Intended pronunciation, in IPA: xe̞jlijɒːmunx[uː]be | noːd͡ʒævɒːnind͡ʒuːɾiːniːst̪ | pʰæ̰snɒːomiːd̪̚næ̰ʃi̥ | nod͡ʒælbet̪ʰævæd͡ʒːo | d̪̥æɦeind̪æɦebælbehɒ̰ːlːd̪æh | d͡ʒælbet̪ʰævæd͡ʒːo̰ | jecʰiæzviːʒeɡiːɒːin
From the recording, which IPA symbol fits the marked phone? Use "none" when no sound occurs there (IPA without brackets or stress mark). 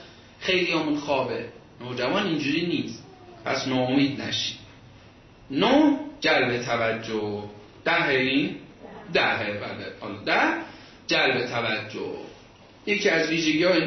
ɒː